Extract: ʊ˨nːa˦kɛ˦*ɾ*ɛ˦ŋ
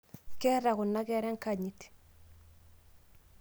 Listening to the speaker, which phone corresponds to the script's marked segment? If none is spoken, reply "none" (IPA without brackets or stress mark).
ɾ